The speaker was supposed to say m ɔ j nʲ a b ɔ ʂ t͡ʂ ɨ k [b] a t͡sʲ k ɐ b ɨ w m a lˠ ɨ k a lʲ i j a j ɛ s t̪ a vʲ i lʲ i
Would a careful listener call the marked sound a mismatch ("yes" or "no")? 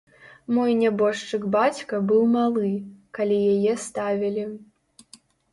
no